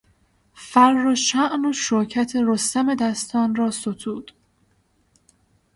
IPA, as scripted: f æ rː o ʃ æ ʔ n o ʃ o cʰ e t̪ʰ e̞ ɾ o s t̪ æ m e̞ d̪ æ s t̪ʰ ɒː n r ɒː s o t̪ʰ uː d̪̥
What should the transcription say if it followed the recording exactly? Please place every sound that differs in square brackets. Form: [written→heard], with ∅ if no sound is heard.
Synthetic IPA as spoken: f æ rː o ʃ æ ʔ n o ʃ o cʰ [e→æ] t̪ʰ e̞ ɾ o s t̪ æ m e̞ d̪ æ s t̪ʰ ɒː n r ɒː s o t̪ʰ uː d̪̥